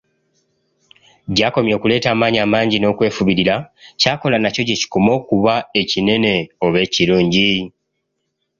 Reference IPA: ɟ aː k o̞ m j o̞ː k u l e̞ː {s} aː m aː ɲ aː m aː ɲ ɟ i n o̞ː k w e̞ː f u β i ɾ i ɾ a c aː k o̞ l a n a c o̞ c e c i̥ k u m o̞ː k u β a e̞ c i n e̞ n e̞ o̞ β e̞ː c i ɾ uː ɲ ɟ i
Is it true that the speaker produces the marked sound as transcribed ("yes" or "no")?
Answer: no